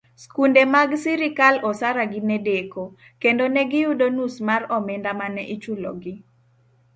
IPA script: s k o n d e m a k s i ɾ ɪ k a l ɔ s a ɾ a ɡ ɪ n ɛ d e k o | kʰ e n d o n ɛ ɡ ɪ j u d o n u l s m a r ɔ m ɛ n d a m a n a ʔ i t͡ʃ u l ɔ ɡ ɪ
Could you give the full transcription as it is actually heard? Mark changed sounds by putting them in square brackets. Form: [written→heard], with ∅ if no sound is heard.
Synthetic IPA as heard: s k [o→u] n d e m a [k→ɡ] s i ɾ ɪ k a l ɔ s a ɾ a ɡ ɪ n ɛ d e k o | [kʰ→k] e n d o n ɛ ɡ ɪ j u d o n u [l→∅] s m a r ɔ m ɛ n d a m a n [a→ɛ] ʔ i t͡ʃ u l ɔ ɡ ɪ

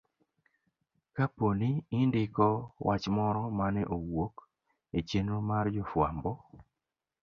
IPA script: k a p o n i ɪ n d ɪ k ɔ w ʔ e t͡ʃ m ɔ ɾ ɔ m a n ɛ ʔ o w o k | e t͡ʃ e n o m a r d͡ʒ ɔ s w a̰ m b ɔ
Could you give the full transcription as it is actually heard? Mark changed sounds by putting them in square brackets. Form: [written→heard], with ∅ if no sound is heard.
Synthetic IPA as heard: k a p o n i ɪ n d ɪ k ɔ w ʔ [e→a] t͡ʃ m ɔ ɾ ɔ m a n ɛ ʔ o w o k | e t͡ʃ e n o m a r d͡ʒ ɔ [s→f] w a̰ m b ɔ

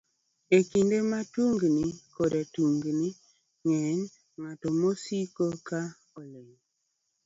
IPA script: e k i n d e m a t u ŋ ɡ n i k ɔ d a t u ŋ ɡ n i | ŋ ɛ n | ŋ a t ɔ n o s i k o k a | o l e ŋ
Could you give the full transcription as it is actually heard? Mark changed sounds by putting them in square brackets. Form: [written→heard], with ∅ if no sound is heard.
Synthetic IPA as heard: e k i n d e m a t u ŋ ɡ n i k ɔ d a t u ŋ ɡ n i | ŋ ɛ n | ŋ a t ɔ [n→m] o s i k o k a | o l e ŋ

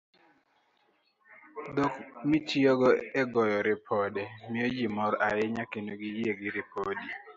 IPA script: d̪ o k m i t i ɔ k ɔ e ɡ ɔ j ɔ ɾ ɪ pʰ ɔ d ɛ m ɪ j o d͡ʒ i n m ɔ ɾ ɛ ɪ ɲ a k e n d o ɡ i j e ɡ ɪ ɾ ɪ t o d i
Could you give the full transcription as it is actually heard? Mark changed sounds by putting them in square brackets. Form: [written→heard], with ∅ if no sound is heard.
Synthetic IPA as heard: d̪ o k m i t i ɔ [k→ɡ] ɔ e ɡ ɔ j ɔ ɾ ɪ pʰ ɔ d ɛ m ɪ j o d͡ʒ i [n→∅] m ɔ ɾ [ɛ→a] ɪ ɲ a k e n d o ɡ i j e ɡ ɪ ɾ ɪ [t→p] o d i

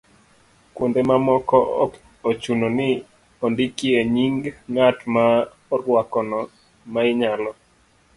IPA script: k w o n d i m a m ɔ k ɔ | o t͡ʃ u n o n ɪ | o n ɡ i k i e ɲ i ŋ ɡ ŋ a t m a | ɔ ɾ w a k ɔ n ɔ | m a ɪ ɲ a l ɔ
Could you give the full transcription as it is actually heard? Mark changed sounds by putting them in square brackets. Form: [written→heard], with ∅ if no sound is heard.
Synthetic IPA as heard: k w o n d [i→e] m a m ɔ k ɔ | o t͡ʃ u n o n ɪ | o n [ɡ→d] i k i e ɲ i ŋ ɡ ŋ a t m a | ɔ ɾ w a k ɔ n ɔ | m a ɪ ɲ a l ɔ

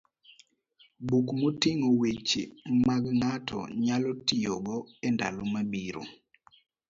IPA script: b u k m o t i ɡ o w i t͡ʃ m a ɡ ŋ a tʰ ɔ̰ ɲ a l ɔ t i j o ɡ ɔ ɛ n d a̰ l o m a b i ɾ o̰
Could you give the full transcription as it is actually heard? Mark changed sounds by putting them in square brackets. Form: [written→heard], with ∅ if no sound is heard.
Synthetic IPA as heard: b u k m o t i [ɡ→ŋ] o w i t͡ʃ m a ɡ ŋ a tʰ ɔ̰ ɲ a l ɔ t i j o ɡ ɔ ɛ n d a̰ l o m a b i ɾ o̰

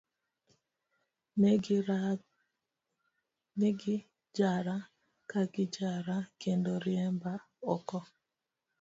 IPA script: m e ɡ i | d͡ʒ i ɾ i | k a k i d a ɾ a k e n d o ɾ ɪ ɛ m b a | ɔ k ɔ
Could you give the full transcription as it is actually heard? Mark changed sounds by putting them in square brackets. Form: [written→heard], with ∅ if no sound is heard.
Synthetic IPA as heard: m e ɡ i | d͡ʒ [i→a] ɾ [i→a] | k a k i [d→d͡ʒ] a ɾ a k e n d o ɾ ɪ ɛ m b a | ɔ k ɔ

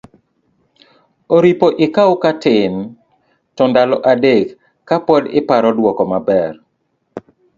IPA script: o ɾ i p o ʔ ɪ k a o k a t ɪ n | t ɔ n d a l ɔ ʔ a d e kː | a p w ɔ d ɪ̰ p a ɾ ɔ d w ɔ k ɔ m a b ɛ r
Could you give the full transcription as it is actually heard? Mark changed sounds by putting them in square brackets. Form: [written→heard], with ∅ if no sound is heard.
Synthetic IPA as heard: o ɾ i p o ʔ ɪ k a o k a t ɪ n | t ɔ n d a l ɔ ʔ a d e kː | a p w ɔ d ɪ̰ p a ɾ ɔ d w ɔ k ɔ m a b ɛ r

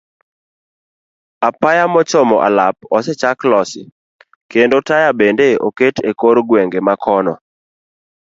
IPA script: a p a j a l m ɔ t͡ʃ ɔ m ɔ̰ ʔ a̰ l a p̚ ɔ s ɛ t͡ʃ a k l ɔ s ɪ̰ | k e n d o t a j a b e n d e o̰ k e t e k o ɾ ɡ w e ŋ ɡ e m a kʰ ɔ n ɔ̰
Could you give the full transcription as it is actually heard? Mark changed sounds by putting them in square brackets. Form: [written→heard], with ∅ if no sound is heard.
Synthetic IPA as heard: a p a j a [l→∅] m ɔ t͡ʃ ɔ m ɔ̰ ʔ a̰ l a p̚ ɔ s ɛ t͡ʃ a k l ɔ s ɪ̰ | k e n d o t a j a b e n d e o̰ k e t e k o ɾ ɡ w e ŋ ɡ e m a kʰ ɔ n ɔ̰

